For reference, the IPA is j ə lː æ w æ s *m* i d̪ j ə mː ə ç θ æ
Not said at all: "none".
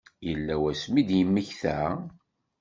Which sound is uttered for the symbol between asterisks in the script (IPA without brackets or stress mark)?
m